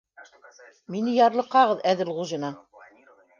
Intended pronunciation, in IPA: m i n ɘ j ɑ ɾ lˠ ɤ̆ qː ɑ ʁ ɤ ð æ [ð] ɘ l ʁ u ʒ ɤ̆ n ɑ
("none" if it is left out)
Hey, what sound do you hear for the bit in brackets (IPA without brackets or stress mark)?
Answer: ð